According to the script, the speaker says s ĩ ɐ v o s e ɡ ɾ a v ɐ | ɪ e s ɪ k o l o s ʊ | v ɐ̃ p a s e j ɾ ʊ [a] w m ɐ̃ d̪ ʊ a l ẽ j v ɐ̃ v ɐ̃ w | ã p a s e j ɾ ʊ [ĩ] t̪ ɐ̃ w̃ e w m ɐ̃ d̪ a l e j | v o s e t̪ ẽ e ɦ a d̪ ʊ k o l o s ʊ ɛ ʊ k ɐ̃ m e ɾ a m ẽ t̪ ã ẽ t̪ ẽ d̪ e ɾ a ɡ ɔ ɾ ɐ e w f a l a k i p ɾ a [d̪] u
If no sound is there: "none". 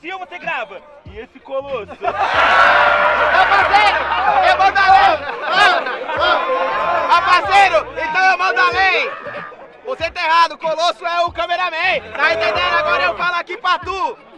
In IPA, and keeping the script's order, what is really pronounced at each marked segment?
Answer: e, ẽ, t̪

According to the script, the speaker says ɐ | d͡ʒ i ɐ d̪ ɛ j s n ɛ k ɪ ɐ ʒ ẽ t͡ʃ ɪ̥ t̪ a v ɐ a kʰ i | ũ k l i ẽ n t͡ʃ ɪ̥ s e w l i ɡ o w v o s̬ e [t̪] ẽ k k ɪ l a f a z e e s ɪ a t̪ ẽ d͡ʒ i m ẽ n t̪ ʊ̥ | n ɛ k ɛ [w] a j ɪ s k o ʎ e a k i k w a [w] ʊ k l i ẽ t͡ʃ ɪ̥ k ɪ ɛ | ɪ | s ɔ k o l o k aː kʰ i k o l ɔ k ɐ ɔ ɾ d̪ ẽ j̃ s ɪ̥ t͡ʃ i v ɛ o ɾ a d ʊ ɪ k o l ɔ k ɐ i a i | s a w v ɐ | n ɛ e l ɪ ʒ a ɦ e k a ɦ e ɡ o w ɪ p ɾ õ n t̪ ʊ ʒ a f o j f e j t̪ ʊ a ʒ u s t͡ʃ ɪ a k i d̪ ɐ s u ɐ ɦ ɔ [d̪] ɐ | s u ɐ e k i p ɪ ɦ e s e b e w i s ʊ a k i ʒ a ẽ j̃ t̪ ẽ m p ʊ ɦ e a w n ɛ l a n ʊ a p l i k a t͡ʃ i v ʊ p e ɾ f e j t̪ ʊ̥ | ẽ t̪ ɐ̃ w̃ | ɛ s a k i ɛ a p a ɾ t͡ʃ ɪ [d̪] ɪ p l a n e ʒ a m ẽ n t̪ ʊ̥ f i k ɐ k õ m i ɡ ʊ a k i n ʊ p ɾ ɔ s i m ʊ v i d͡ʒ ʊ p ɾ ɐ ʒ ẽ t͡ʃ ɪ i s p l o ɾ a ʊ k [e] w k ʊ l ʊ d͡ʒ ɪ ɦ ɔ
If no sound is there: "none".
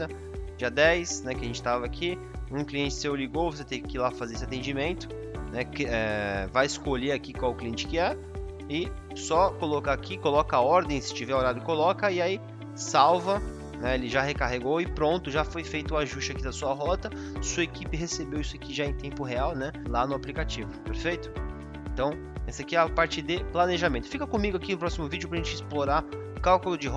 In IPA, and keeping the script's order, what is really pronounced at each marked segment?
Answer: t̪, v, w, t̪, d̪, a

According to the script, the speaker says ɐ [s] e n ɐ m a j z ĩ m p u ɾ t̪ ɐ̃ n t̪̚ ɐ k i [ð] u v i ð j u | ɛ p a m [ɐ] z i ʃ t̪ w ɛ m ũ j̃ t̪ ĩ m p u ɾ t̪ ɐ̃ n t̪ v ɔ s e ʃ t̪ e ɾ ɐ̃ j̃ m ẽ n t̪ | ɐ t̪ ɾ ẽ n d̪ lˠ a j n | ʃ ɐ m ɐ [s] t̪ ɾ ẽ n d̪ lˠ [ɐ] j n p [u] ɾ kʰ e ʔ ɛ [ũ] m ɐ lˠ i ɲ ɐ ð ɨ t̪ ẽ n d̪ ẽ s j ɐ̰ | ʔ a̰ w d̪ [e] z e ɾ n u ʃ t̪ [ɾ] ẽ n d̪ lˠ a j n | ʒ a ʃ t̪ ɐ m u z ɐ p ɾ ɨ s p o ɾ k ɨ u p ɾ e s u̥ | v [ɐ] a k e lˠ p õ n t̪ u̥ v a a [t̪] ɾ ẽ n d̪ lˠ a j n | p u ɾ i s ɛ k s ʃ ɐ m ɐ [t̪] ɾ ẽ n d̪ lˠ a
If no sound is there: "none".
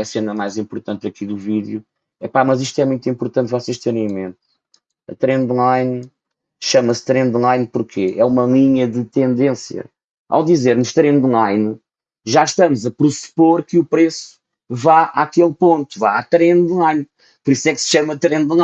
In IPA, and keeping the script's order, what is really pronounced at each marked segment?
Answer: s, ð, ɐ, s, a, u, u, i, ɾ, a, t̪, t̪

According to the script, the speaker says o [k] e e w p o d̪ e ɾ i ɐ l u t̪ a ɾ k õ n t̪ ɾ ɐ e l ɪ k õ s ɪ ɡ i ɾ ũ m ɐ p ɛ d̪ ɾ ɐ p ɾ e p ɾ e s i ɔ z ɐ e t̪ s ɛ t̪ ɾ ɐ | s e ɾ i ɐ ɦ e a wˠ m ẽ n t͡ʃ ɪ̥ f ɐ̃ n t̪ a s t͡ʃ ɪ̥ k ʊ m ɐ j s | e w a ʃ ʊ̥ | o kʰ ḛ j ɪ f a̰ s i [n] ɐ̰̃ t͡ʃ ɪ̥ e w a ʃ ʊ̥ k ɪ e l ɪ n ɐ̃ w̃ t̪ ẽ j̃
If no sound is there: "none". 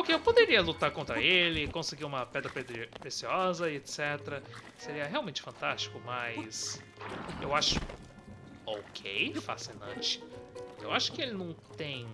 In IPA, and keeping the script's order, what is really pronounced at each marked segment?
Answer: k, n

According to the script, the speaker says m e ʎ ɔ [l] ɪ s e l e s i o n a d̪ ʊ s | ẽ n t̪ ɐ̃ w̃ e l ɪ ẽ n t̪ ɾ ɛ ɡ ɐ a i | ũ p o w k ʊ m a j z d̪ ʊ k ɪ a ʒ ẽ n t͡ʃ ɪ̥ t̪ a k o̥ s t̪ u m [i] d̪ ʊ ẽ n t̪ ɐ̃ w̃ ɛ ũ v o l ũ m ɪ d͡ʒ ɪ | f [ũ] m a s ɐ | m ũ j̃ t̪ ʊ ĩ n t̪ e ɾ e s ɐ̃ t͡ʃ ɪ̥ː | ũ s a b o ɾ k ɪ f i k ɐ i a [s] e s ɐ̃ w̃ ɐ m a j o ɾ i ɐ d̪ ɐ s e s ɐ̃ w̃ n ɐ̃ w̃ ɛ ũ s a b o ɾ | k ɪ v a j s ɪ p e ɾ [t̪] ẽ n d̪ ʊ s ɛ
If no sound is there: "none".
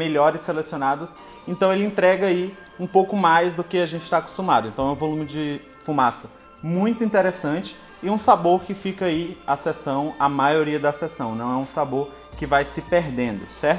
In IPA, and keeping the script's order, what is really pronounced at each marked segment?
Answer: ɾ, a, u, s, d̪

